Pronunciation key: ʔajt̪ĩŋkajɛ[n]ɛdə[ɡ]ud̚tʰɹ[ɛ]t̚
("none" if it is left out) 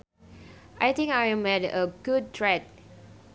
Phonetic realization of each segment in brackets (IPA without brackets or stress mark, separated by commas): m, ɡ, ɛ